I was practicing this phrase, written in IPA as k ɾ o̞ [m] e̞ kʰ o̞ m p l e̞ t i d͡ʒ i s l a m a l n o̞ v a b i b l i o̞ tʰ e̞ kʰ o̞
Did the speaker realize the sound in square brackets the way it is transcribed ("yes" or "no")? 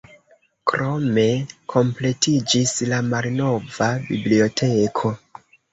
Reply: yes